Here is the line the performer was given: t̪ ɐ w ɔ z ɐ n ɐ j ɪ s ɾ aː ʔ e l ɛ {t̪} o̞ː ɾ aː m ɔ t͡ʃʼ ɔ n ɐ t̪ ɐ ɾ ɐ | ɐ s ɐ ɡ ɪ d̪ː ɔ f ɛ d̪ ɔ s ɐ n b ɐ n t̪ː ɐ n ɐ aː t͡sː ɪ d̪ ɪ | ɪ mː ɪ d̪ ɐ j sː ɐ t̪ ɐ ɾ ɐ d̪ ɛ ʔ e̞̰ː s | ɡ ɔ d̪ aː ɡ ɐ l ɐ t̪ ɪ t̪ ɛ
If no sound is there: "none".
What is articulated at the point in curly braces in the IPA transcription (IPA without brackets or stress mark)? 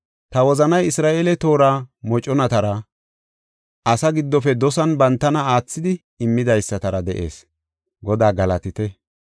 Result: t̪